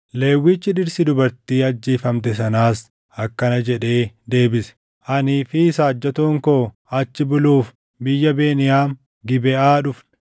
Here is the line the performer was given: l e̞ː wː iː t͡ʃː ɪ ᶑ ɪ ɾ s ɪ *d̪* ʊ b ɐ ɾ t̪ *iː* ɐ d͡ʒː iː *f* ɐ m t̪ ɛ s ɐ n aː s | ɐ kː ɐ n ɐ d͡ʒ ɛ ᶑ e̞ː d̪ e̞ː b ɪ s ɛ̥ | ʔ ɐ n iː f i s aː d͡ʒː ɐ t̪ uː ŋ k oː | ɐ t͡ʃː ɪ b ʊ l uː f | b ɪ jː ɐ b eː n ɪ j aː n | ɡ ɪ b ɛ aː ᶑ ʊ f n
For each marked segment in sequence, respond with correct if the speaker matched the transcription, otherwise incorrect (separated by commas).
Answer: correct, correct, correct